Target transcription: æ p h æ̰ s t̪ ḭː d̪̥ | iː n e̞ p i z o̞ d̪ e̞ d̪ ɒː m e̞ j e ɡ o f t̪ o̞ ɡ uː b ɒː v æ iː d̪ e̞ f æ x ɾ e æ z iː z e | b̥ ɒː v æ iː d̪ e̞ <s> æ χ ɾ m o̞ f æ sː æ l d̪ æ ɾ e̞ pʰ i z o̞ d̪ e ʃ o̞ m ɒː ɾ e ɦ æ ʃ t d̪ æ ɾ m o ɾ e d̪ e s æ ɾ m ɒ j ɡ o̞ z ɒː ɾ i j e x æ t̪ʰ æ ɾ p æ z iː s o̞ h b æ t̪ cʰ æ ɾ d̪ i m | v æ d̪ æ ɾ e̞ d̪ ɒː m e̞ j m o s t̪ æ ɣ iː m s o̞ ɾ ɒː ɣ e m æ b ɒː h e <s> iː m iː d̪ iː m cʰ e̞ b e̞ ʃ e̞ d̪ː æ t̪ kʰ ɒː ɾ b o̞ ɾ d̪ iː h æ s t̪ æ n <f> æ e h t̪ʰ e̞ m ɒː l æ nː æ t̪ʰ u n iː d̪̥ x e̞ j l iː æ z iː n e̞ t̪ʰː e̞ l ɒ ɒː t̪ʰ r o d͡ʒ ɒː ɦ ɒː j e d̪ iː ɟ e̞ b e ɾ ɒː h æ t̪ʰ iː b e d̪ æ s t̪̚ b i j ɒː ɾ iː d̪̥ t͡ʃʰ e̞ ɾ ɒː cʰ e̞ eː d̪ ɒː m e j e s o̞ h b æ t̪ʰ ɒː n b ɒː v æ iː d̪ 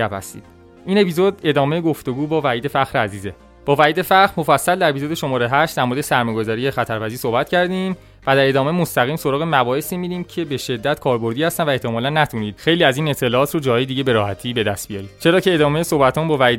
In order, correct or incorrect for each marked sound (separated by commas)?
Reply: incorrect, correct, incorrect